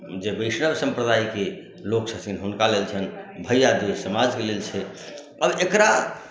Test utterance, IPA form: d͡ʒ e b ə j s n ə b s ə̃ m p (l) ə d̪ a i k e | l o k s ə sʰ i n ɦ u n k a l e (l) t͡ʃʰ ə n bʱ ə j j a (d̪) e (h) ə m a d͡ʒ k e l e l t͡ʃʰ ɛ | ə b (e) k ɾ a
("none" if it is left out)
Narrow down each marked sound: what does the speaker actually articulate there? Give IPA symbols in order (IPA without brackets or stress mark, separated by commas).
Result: ɾ, l, d̪, s, e